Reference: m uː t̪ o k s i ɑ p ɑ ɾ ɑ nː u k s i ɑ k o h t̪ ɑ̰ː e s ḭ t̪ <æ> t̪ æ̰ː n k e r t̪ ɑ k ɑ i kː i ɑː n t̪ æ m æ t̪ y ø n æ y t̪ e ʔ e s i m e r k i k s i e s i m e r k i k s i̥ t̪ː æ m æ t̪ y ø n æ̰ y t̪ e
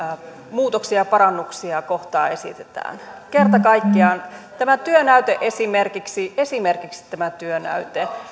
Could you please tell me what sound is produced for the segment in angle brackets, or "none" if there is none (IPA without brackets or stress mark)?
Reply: e